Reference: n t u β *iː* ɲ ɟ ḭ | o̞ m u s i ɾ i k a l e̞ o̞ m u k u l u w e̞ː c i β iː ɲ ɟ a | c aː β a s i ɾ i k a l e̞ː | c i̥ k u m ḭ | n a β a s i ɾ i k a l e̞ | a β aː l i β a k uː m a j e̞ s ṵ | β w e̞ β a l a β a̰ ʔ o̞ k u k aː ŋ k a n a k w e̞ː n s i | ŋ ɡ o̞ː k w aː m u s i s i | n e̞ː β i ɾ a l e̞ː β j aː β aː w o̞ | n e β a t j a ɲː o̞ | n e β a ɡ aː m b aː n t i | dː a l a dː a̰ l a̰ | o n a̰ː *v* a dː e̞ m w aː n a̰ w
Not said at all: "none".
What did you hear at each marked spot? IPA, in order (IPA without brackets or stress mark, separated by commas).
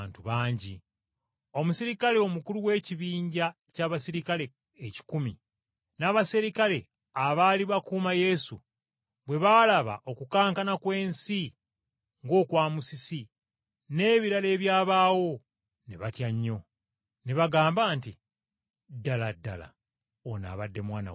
aː, β